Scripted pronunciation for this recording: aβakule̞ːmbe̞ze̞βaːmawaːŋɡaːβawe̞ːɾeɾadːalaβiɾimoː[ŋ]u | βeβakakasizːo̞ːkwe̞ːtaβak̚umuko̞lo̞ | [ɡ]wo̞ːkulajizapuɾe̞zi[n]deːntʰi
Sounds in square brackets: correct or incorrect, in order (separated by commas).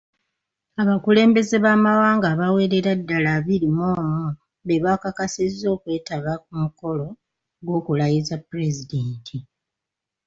incorrect, correct, incorrect